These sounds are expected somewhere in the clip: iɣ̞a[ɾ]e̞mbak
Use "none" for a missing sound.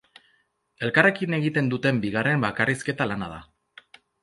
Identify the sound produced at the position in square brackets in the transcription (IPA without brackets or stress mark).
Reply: r